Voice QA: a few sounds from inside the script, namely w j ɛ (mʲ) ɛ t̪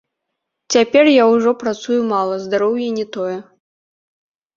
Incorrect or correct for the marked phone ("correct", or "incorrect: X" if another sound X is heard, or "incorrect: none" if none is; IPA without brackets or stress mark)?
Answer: incorrect: nʲ